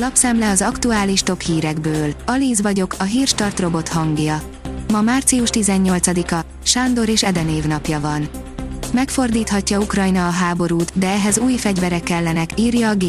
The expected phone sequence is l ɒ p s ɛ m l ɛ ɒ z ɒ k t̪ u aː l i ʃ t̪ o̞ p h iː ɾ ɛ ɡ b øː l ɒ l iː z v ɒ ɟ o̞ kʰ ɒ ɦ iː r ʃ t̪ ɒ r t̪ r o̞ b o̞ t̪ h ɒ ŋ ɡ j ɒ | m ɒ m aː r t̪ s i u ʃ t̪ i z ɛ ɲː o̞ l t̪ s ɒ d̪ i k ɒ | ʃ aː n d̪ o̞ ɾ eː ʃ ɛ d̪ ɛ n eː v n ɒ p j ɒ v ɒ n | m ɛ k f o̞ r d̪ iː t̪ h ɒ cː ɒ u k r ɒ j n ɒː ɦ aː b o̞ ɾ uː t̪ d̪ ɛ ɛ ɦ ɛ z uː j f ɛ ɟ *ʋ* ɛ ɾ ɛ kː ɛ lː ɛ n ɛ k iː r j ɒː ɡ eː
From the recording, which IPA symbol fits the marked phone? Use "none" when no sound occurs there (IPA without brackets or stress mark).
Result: v